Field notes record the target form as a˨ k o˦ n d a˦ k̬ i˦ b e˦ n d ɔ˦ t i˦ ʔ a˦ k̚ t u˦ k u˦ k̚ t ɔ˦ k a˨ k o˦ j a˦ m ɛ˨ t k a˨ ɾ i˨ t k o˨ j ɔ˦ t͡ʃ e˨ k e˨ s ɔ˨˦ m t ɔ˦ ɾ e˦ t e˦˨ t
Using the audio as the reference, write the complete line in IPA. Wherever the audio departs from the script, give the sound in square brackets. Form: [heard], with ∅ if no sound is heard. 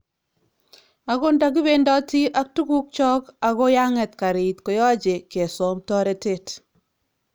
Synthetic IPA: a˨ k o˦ n d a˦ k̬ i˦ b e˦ n d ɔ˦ t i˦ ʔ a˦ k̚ t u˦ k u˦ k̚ [t͡ʃ] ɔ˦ k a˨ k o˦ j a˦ [ŋ] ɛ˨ t k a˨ ɾ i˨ t k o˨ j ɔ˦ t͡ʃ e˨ k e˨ s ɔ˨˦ m t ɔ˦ ɾ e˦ t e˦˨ t